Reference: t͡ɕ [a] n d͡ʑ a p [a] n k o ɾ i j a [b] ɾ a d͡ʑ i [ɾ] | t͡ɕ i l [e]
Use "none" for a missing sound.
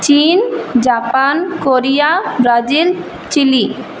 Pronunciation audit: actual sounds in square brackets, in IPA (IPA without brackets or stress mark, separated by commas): i, a, b, l, i